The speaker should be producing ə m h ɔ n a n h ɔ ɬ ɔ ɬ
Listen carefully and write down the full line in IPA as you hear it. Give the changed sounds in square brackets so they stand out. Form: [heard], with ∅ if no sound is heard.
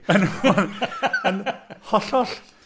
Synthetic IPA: ə [n] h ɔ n [ə] n h ɔ ɬ ɔ ɬ